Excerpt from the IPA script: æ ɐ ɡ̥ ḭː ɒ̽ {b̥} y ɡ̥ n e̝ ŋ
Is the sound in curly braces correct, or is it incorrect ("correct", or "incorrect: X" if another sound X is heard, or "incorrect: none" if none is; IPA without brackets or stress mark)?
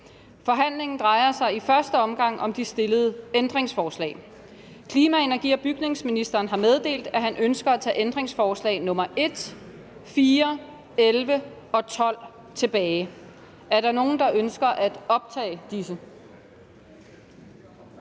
correct